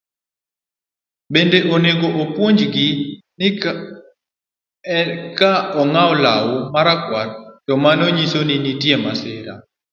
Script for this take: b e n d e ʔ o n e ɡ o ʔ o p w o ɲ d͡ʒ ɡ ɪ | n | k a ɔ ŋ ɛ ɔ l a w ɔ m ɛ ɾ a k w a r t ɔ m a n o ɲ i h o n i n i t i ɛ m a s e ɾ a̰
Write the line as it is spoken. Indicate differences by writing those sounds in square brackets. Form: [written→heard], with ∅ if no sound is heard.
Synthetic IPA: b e n d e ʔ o n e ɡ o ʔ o p w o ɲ d͡ʒ ɡ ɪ | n | k a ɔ ŋ [ɛ→a] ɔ l a w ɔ m [ɛ→a] ɾ a k w a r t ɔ m a n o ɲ i [h→s] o n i n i t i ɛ m a s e ɾ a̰